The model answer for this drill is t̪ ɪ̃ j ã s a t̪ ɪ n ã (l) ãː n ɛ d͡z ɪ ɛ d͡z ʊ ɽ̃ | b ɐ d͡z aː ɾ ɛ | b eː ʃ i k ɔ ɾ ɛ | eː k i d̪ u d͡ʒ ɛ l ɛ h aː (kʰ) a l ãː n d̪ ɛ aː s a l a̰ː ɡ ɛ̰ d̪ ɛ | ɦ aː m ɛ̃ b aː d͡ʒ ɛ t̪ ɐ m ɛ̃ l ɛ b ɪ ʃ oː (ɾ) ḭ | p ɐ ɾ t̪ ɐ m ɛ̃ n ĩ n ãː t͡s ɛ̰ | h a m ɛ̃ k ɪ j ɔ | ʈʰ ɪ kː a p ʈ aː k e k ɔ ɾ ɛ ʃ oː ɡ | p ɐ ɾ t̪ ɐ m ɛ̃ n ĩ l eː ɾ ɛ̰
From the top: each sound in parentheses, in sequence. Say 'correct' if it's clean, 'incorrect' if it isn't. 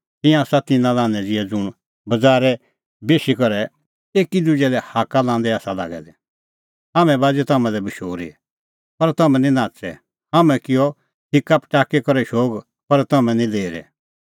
correct, incorrect, correct

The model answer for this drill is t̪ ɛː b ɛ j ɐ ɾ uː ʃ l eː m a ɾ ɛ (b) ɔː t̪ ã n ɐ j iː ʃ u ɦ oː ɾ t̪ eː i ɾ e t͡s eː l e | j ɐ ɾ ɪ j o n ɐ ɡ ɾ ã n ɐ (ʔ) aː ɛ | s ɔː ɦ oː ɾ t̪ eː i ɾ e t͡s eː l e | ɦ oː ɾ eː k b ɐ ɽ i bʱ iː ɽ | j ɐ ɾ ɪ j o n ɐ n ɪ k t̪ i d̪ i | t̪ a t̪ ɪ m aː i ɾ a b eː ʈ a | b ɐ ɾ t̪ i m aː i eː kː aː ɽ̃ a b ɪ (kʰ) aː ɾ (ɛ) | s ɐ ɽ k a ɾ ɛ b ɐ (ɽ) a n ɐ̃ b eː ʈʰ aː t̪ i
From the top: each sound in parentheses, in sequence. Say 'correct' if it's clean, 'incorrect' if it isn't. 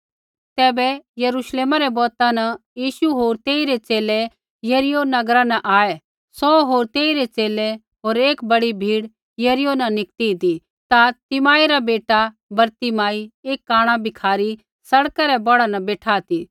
correct, correct, correct, incorrect, correct

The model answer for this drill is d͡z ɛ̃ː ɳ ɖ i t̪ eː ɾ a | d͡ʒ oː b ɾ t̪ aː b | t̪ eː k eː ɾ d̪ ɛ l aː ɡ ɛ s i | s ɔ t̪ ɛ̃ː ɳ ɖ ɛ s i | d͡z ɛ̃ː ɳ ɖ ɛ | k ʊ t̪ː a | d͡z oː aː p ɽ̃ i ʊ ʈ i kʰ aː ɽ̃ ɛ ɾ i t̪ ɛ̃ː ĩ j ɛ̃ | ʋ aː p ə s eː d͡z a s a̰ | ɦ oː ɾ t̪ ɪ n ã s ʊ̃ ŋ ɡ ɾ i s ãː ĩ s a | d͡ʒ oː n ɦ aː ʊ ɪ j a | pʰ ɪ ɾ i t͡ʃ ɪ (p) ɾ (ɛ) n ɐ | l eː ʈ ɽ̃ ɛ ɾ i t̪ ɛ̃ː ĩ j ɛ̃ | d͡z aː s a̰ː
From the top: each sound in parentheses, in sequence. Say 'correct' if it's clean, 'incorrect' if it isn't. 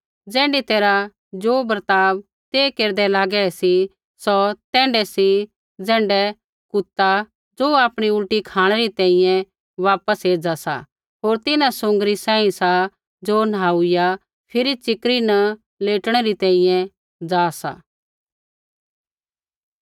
incorrect, incorrect

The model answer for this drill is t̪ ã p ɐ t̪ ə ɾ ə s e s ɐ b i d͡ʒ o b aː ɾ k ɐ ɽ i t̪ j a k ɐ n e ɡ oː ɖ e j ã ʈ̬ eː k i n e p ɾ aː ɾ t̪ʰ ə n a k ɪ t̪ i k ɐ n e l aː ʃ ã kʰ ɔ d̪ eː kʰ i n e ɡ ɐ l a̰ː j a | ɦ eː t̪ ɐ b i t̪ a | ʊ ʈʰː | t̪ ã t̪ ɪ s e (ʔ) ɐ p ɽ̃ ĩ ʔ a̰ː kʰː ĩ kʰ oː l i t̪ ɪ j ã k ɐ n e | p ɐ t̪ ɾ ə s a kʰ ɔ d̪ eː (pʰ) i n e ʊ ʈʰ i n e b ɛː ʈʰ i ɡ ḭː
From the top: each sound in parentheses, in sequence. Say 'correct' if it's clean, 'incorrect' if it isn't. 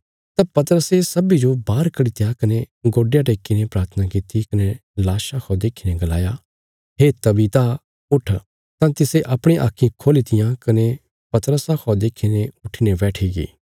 correct, incorrect

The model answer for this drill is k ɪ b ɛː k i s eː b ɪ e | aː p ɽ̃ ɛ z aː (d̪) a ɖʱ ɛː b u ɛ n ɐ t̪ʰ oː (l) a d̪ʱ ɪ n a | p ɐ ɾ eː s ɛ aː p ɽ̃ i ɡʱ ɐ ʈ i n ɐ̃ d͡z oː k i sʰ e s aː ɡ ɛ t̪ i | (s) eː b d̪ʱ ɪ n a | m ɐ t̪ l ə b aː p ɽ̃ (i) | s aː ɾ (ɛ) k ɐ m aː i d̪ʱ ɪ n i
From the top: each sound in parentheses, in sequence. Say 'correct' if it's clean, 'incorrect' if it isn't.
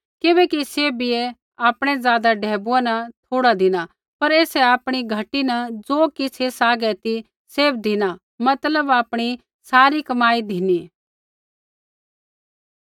correct, incorrect, correct, correct, incorrect

